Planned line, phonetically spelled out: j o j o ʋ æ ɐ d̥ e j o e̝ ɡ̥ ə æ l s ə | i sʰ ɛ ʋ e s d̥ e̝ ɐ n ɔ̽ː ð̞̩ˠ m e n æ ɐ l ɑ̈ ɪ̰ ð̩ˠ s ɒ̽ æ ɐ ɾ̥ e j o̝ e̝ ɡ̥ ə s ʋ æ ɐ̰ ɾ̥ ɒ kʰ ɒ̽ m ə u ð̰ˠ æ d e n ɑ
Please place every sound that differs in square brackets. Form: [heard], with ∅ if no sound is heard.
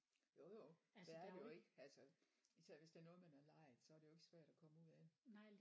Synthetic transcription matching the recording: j o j o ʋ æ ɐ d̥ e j o e̝ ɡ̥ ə æ l s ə | i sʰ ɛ ʋ e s d̥ e̝ ɐ n ɔ̽ː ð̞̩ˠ m [æ] n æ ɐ l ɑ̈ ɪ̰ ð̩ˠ s ɒ̽ æ ɐ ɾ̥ e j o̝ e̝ ɡ̥ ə s ʋ æ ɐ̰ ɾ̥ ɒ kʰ ɒ̽ m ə u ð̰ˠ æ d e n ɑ

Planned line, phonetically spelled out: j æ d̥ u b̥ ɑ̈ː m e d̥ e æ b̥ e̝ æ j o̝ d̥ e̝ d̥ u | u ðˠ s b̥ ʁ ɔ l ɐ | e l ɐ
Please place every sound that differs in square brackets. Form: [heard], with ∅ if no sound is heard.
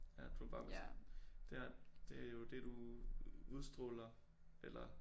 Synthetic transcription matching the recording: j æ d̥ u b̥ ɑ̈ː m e d̥ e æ [d̥] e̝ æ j o̝ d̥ e̝ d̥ u | u ðˠ s [d̥] ʁ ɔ l ɐ | e l ɐ

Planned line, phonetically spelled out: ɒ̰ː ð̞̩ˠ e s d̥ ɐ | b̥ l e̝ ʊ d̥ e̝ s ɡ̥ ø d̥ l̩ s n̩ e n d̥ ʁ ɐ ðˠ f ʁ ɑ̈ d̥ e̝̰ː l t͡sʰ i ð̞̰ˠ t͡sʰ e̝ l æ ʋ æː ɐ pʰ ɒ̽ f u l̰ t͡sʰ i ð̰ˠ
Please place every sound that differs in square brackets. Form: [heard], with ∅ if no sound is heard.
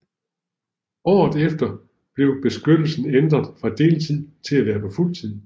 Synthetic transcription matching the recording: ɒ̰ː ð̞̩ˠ e [f] d̥ ɐ | b̥ l e̝ ʊ [b̥] e̝ s ɡ̥ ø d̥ l̩ s n̩ e n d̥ ʁ ɐ ðˠ f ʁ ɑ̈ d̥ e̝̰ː l t͡sʰ i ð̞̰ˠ t͡sʰ e̝ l æ ʋ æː ɐ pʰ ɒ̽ f u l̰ t͡sʰ i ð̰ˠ

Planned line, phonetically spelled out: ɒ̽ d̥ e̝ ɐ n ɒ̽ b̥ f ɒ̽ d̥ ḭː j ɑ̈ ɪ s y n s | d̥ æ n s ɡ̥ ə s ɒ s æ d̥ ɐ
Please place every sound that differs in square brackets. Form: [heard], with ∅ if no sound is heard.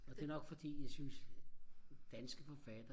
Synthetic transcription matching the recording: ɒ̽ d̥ e̝ ɐ n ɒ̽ [ɡ̥] f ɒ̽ d̥ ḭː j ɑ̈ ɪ s y n s | d̥ æ n s ɡ̥ ə [f] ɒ [f] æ d̥ ɐ

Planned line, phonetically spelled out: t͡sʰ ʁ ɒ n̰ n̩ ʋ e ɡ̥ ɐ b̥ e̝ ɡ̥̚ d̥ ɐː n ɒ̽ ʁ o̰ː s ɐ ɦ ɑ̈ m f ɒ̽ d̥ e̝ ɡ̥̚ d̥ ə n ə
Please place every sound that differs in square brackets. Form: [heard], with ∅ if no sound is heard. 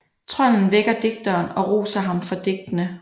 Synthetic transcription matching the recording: t͡sʰ ʁ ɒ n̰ n̩ ʋ e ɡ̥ ɐ [d̥] e̝ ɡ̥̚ d̥ ɐː n ɒ̽ ʁ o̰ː s ɐ ɦ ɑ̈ m f ɒ̽ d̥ e̝ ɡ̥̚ d̥ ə n ə

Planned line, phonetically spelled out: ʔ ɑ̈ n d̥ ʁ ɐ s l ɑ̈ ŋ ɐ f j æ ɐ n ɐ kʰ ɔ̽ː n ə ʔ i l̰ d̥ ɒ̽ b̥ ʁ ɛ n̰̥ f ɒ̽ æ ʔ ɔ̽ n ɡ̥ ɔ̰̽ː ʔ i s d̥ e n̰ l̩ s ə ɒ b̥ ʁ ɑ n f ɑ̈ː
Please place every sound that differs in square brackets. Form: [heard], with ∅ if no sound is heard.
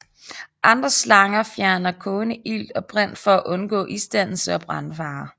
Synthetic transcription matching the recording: ʔ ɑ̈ n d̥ ʁ ɐ s l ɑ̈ ŋ ɐ f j æ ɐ n ɐ kʰ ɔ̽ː n ə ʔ i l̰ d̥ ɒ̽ b̥ ʁ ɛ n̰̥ f ɒ̽ æ ʔ ɔ̽ n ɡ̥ ɔ̰̽ː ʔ i s d̥ [æ] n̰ l̩ s ə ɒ b̥ ʁ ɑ n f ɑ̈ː

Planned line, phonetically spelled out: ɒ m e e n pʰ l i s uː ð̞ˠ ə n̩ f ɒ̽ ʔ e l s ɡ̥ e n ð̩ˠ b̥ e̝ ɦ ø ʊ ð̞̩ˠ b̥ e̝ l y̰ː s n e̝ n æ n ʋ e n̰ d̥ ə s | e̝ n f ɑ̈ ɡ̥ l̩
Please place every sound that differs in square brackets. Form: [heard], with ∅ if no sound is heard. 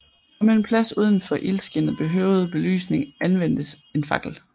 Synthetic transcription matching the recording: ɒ m e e n pʰ l [æ] s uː ð̞ˠ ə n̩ f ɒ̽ ʔ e l s ɡ̥ e n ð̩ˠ b̥ e̝ ɦ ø ʊ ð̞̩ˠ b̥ e̝ l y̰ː s n e̝ [ŋ] æ n ʋ e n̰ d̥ ə s | e̝ n f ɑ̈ ɡ̥ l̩

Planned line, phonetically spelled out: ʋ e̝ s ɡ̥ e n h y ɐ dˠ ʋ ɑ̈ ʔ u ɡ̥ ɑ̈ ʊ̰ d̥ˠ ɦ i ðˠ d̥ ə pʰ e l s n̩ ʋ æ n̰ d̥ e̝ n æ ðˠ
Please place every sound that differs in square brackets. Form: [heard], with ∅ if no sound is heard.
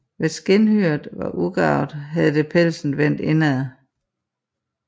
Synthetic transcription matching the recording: ʋ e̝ s ɡ̥ e n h y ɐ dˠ ʋ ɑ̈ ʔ u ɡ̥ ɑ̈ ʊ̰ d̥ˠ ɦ [æ] ðˠ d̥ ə pʰ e l s n̩ ʋ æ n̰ d̥ e̝ n æ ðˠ

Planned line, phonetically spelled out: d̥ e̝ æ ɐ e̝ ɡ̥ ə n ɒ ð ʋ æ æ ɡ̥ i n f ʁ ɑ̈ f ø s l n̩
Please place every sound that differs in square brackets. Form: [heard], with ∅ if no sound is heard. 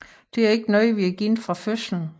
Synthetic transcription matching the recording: d̥ e̝ æ ɐ e̝ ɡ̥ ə n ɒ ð ʋ [i] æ ɡ̥ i n f ʁ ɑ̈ f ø s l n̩

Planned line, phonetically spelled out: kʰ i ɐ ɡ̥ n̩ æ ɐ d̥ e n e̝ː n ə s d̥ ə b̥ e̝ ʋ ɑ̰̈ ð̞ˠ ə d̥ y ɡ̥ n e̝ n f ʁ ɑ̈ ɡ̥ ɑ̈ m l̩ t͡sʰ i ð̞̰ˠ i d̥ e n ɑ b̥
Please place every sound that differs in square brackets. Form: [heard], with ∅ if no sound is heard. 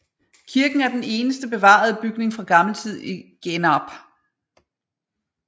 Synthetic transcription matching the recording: kʰ i ɐ ɡ̥ n̩ æ ɐ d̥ e n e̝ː n ə s d̥ ə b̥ e̝ ʋ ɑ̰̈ ð̞ˠ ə [b̥] y ɡ̥ n e̝ [ŋ] f ʁ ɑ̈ ɡ̥ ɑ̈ m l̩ t͡sʰ i ð̞̰ˠ i [ɡ̥] e n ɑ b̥

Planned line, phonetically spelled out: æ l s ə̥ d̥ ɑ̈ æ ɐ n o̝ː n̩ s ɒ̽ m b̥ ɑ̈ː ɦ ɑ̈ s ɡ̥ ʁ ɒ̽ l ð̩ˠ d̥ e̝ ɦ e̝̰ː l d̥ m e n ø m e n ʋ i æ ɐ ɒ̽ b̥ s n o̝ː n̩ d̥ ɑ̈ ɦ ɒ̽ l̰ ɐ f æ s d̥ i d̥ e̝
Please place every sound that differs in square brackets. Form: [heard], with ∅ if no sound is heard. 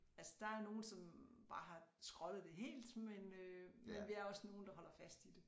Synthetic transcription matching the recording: æ l s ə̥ d̥ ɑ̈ æ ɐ n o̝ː n̩ s ɒ̽ m b̥ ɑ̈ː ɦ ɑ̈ s ɡ̥ ʁ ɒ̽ l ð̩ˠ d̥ e̝ ɦ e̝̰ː l d̥ m e n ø m e n ʋ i æ ɐ ɒ̽ [∅] s n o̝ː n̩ d̥ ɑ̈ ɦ ɒ̽ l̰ ɐ f æ s d̥ i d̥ e̝

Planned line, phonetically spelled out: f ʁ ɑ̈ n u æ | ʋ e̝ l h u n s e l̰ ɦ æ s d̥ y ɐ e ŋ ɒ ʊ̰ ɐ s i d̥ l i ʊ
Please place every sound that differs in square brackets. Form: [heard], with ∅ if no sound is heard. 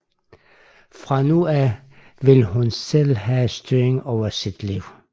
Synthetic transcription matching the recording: f ʁ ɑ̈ n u æ | ʋ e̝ l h u n s e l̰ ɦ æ s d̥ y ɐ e ŋ ɒ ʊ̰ ɐ s i d̥ l i ʊ

